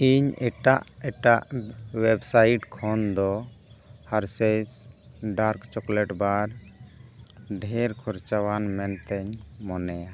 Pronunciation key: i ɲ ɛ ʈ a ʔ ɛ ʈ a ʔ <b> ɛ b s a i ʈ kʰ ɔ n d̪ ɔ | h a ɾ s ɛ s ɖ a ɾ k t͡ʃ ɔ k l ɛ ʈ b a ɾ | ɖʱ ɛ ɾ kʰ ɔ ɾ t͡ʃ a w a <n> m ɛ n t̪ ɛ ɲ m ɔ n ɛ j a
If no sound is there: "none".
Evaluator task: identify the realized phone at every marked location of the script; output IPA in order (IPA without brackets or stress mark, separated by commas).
w, n